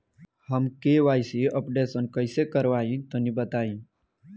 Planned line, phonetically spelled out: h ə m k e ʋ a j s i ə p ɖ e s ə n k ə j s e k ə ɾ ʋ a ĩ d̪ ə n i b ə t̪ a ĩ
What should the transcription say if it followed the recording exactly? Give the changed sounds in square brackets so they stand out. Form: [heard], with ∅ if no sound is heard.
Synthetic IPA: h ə m k e ʋ a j s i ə p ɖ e s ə n k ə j s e k ə ɾ ʋ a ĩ [t̪] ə n i b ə t̪ a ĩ